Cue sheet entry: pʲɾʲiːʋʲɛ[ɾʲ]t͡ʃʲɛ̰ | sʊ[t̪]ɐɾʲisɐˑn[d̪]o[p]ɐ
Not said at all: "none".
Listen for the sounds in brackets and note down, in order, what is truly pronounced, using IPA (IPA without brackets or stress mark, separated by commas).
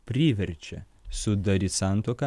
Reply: ɾʲ, d̪, t̪, k